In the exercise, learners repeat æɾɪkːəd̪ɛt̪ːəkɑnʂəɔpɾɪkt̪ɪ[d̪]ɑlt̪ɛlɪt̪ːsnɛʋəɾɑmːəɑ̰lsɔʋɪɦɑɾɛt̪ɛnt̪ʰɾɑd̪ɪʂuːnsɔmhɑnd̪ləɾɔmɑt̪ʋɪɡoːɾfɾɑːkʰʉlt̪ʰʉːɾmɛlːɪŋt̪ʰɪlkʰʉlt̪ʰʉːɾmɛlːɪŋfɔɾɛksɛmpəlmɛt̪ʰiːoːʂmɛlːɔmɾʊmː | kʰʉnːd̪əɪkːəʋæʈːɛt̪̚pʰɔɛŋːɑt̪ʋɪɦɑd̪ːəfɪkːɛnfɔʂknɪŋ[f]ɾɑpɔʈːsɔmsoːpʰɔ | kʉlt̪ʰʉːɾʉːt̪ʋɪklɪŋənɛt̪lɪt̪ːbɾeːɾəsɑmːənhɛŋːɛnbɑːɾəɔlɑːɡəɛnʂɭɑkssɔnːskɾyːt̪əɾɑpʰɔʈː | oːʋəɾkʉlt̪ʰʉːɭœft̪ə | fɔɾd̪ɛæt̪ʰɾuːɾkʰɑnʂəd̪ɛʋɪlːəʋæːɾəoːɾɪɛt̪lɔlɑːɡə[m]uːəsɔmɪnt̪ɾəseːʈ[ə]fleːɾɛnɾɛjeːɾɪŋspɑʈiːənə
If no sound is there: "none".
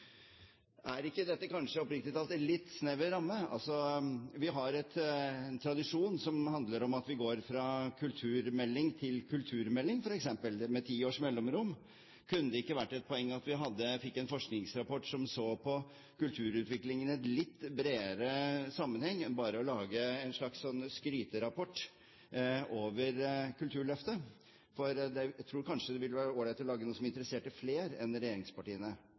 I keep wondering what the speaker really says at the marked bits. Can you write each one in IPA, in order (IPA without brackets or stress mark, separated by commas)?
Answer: t̪, s, n, ə